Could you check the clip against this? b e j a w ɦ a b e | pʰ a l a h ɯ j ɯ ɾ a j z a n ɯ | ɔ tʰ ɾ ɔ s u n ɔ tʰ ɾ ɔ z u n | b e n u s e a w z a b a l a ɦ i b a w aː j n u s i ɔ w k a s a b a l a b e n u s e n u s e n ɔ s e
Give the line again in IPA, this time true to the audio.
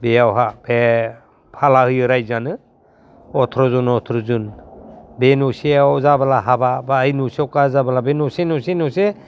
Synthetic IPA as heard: b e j a w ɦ a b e | pʰ a l a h ɯ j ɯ ɾ a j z a n ɯ | ɔ tʰ ɾ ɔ z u n ɔ tʰ ɾ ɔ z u n | b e n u s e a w z a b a l a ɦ a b a b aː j n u s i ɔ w k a z a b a l a b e n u s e n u s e n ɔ s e

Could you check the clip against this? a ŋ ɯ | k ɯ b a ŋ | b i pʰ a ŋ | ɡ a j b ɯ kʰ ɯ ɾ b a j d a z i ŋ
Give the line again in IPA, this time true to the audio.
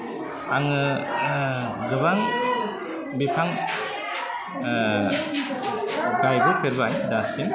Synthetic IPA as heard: a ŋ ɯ | ɡ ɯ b a ŋ | b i pʰ a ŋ | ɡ a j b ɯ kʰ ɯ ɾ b a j d a s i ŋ

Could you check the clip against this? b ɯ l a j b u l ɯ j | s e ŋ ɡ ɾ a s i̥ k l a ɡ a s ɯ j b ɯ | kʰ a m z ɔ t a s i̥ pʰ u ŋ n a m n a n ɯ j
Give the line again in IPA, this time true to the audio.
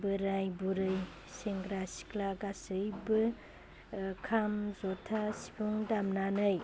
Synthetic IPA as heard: b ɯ ɾ a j b u ɾ ɯ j | s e ŋ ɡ ɾ a s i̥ k l a ɡ a s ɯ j b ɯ | kʰ a m z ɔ tʰ a s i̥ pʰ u ŋ d a m n a n ɯ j

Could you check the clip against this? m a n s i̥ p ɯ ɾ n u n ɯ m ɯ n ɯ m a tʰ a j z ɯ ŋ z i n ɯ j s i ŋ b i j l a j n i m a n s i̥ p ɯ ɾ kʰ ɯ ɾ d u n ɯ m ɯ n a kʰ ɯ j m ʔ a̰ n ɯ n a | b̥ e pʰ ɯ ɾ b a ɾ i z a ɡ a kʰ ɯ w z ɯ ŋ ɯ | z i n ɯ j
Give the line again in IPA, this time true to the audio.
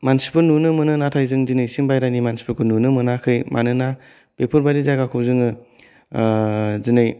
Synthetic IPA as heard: m a n s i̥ p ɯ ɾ n u n ɯ m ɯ n ɯ n a tʰ a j z ɯ ŋ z i n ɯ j s i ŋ b a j ɾ a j n i m a n s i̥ p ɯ ɾ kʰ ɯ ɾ n u n ɯ m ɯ n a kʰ ɯ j m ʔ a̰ n ɯ n a | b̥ e pʰ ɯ ɾ b a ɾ i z a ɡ a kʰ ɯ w z ɯ ŋ ɯ | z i n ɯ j

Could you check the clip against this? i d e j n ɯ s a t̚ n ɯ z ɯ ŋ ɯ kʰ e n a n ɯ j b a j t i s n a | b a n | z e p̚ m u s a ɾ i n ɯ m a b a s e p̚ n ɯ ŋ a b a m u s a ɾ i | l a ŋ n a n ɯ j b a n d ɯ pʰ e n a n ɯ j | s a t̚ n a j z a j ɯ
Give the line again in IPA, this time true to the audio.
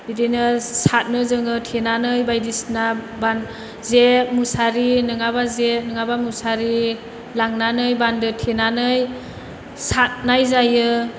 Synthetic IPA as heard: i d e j n ɯ s a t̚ n ɯ z ɯ ŋ ɯ tʰ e n a n ɯ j b a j d i s n a | b a n | z e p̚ m u s a ɾ i n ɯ ŋ a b a z e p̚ n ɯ ŋ a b a m u s a ɾ i | l a ŋ n a n ɯ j b a n d ɯ tʰ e n a n ɯ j | s a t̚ n a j z a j ɯ

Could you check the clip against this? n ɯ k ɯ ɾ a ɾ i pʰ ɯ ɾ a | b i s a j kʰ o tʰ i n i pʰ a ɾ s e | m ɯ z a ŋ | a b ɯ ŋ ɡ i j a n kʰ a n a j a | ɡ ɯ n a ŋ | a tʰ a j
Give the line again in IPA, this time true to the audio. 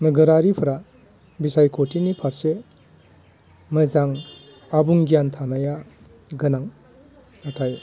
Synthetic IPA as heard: n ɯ ɡ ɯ ɾ a ɾ i pʰ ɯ ɾ a | b i s a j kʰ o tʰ i n i pʰ a ɾ s e | m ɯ z a ŋ | a b u ŋ ɡ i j a n tʰ a n a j a | ɡ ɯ n a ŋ | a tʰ a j

